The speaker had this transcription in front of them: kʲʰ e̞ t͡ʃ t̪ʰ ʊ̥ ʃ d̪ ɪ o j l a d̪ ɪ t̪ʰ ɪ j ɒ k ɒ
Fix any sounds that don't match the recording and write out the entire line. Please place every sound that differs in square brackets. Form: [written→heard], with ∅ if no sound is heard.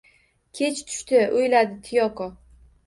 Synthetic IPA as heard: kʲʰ e̞ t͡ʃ t̪ʰ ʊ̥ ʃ [d̪→t̪] ɪ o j l a d̪ ɪ t̪ʰ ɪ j ɒ k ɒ